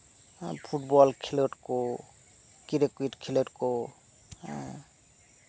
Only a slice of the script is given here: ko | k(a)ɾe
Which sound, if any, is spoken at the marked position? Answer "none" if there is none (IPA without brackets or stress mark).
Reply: i